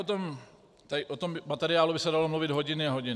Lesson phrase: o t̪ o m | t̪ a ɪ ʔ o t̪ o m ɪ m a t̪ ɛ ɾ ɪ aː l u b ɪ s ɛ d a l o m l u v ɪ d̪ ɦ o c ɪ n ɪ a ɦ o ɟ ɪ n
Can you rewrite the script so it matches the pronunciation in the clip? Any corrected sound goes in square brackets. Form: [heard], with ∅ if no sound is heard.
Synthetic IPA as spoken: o t̪ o m | t̪ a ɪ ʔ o t̪ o m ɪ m a t̪ ɛ ɾ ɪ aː l u b ɪ s ɛ d a l o m l u v ɪ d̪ ɦ o [ɟ] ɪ n ɪ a ɦ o ɟ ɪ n